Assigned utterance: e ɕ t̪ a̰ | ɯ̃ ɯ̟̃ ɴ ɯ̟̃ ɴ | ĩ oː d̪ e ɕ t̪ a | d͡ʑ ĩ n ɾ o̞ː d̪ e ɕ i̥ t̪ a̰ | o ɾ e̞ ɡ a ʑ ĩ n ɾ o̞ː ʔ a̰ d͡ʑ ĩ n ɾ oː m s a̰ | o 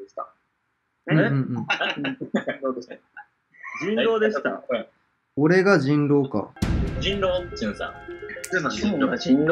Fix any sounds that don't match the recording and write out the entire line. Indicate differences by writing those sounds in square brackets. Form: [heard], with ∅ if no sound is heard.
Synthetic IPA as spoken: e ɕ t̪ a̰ | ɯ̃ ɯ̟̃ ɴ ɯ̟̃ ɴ | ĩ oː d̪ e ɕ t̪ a | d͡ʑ ĩ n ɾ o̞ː d̪ e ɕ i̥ t̪ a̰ | o ɾ e̞ ɡ a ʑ ĩ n ɾ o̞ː [k] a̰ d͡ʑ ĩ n ɾ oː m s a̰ | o